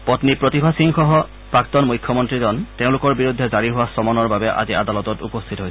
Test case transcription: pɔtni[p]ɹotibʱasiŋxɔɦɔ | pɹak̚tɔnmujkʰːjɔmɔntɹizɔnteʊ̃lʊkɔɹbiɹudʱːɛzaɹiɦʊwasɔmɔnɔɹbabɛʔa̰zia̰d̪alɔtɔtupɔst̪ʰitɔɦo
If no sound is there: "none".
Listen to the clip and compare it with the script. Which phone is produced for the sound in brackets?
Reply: p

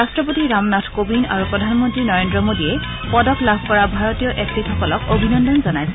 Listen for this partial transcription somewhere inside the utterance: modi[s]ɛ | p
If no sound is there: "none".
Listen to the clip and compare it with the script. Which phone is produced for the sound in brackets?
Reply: none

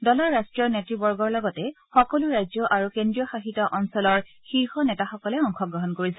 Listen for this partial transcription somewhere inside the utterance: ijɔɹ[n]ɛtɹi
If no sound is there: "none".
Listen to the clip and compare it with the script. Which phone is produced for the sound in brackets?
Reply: n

